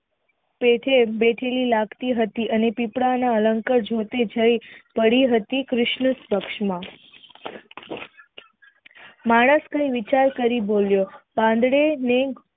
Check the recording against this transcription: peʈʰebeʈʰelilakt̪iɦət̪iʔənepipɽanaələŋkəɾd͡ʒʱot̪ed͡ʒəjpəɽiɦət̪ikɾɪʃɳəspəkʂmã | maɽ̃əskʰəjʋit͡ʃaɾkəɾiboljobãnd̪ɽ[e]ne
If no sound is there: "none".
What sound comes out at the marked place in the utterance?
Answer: e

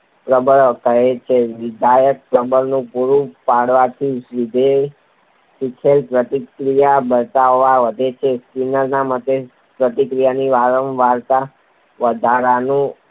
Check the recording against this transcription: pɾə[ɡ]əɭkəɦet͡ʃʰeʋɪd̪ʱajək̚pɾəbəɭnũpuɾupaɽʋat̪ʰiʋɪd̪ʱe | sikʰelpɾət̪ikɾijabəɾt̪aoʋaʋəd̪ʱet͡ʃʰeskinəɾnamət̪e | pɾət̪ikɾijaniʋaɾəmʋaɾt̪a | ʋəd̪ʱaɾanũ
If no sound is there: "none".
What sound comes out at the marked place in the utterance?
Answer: b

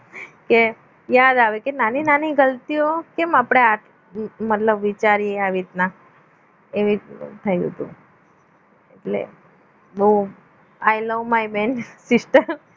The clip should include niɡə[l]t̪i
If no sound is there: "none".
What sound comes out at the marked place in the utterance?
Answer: l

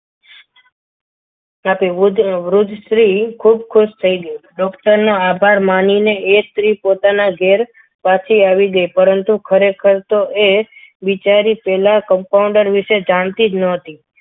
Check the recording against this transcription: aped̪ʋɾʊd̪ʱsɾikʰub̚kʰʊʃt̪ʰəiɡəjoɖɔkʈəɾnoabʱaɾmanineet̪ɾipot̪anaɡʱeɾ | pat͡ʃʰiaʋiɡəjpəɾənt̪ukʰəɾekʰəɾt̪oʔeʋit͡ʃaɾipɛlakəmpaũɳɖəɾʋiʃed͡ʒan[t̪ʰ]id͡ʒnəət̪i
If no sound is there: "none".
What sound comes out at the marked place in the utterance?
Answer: t̪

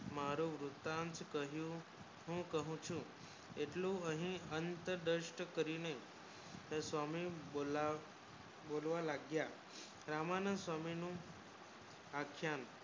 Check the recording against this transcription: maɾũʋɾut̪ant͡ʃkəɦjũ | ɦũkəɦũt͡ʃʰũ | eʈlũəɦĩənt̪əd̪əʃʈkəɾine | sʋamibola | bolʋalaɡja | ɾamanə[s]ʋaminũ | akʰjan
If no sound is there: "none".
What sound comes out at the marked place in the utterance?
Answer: s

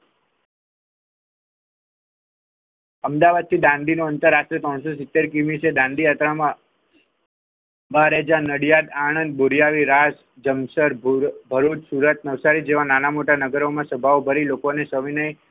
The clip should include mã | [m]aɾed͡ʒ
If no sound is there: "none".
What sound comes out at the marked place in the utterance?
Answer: b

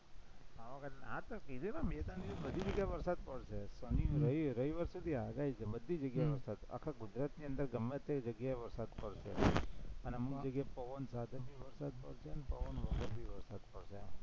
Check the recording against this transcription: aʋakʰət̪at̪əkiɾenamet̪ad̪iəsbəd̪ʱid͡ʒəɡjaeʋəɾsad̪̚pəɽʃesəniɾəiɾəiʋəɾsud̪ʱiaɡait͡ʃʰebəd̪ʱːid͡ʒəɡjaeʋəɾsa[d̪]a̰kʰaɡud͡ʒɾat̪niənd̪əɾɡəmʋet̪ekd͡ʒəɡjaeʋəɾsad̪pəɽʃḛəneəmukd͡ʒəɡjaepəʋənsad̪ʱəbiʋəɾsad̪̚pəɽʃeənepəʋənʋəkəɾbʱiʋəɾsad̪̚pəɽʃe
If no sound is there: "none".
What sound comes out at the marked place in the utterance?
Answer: d̪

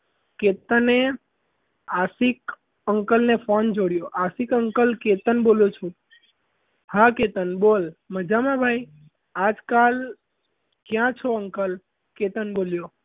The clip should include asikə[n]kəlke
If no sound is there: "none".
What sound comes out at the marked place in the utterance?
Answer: ŋ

